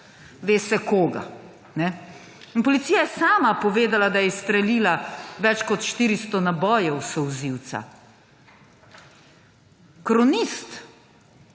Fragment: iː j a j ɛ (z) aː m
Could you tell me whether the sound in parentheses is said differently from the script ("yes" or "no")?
yes